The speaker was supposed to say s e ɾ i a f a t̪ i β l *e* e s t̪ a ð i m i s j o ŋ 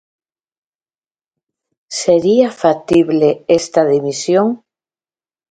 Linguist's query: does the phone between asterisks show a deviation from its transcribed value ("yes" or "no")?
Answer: no